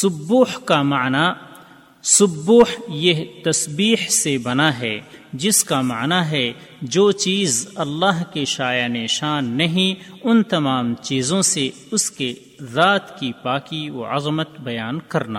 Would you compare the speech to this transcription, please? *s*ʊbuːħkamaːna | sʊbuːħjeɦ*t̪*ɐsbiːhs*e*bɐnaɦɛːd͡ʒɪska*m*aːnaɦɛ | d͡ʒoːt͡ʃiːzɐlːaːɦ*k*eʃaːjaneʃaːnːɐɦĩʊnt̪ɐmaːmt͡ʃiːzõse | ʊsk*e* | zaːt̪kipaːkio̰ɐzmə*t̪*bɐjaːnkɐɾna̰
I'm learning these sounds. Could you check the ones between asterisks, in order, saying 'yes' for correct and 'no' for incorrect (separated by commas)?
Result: yes, yes, yes, yes, yes, yes, yes